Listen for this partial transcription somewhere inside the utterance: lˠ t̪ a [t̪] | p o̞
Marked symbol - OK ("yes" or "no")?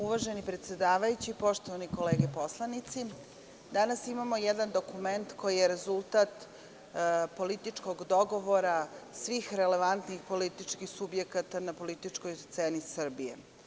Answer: yes